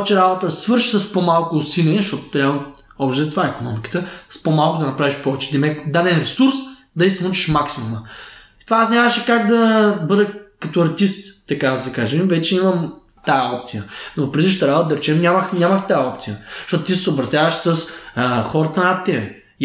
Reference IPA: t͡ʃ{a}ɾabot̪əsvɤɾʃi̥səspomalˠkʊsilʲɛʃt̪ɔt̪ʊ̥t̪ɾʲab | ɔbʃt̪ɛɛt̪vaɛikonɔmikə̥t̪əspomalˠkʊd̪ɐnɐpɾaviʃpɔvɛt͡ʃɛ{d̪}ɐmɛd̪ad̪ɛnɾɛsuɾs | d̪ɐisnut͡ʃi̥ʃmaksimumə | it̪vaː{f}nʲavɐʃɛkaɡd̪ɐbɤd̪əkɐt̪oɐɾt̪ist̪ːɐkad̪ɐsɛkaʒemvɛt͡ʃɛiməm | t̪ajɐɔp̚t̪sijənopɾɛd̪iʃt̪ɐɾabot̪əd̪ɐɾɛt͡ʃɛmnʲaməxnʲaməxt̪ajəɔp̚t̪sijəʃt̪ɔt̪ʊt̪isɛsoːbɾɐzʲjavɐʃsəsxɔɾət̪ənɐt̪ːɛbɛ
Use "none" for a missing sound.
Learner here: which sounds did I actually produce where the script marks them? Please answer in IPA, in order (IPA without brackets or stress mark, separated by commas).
ɛ, d̪, s